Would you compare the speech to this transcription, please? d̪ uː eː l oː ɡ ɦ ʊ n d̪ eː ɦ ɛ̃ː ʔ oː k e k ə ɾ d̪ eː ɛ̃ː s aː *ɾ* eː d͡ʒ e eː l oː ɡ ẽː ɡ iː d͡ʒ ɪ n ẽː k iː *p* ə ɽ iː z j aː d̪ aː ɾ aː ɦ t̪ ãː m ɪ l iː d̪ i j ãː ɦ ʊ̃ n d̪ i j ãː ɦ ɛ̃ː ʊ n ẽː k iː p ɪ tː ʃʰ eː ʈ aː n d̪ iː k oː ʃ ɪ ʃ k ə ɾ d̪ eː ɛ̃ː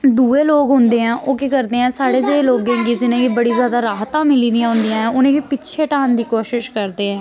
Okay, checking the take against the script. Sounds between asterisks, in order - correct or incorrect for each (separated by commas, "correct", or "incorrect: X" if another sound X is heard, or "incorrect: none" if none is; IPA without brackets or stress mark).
incorrect: ɽ, incorrect: b